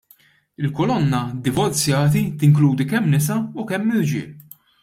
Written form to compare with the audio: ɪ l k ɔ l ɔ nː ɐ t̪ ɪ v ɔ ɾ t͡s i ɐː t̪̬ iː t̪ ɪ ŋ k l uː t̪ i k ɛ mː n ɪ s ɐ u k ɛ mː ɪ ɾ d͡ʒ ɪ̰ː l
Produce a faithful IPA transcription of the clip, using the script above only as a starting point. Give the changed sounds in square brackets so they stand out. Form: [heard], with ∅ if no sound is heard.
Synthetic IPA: ɪ l k ɔ l ɔ nː ɐ [d̪] ɪ v ɔ ɾ t͡s [j] ɐː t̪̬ [i] t̪ ɪ ŋ k l uː [d̪] i k ɛ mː n ɪ s ɐ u k ɛ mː ɪ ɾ d͡ʒ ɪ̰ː l